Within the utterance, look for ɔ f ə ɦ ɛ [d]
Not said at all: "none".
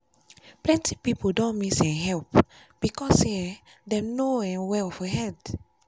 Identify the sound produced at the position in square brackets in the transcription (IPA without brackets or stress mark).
d